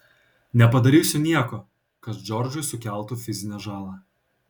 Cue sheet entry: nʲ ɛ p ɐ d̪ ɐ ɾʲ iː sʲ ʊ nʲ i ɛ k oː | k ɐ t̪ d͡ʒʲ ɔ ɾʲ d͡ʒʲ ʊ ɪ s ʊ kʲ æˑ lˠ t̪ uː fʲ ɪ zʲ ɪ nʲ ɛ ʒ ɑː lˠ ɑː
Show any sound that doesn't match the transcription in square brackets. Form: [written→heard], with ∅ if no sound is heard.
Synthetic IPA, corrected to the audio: nʲ ɛ p ɐ d̪ ɐ ɾʲ iː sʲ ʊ nʲ i ɛ k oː | k ɐ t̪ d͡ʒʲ ɔ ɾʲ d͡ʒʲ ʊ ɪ s ʊ kʲ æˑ lˠ t̪ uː fʲ ɪ zʲ ɪ nʲ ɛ ʒ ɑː lˠ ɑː